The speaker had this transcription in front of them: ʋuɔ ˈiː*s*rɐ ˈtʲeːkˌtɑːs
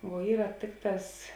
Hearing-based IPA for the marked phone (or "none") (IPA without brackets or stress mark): none